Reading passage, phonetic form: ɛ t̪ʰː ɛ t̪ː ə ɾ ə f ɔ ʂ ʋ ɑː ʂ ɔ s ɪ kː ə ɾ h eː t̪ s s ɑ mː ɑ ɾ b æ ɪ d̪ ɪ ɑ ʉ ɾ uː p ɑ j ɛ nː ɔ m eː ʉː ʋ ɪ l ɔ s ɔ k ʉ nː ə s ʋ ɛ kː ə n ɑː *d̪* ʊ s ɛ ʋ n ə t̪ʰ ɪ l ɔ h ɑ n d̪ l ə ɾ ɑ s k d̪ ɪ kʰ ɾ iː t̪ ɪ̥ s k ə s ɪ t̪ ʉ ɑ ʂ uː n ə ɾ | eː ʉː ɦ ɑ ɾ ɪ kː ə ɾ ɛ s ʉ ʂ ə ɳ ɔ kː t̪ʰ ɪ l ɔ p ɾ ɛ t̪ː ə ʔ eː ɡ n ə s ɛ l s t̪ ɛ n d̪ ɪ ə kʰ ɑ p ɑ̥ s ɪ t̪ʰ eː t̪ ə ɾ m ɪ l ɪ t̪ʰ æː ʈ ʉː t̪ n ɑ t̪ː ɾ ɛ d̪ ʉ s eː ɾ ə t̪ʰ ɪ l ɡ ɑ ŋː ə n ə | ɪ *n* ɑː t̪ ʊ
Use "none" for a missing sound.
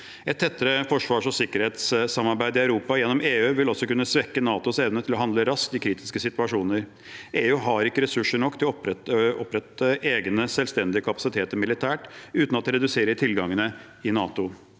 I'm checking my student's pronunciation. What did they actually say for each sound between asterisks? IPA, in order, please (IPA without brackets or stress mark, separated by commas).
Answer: t̪, n